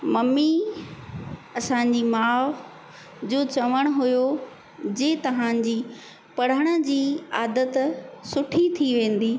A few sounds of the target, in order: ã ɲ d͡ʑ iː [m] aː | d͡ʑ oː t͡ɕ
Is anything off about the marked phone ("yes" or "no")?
no